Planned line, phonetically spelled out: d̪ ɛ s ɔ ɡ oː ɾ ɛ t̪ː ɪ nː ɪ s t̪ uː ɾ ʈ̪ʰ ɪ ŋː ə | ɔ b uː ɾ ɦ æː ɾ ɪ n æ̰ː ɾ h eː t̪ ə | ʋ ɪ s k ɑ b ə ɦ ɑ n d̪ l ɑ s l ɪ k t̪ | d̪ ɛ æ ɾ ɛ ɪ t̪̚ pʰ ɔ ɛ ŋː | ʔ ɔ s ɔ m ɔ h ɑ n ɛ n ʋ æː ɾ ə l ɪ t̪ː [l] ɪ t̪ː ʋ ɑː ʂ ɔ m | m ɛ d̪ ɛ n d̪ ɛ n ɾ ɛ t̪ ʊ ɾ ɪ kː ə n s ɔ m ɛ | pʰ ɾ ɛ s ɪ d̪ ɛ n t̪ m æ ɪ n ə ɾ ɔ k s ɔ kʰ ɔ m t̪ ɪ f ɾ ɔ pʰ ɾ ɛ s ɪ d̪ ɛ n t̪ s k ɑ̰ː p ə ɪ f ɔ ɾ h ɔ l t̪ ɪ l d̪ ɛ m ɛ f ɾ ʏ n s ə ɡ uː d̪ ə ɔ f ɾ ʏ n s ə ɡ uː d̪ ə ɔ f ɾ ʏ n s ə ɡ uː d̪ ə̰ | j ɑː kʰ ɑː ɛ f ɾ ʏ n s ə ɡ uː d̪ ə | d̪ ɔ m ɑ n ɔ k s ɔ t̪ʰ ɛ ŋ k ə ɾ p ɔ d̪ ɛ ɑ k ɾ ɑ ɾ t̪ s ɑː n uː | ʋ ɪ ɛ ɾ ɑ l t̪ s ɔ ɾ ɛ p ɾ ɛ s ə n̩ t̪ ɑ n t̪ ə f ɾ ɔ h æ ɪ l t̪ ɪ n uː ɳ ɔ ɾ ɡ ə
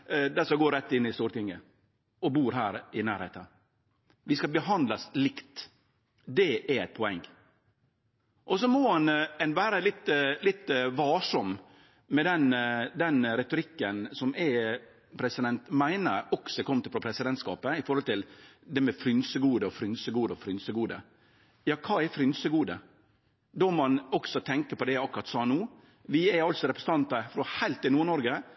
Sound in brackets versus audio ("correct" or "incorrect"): correct